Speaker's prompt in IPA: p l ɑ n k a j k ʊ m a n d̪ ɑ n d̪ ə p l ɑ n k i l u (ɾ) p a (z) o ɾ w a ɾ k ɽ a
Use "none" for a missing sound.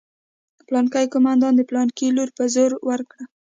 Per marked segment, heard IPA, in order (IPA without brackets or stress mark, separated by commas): ɾ, z